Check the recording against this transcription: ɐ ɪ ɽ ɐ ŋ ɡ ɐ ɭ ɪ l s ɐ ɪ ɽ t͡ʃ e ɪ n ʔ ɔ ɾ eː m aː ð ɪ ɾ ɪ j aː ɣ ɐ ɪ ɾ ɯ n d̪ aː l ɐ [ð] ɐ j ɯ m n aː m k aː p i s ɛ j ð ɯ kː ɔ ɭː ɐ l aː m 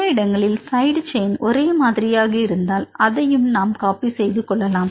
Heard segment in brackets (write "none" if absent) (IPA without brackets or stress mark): ð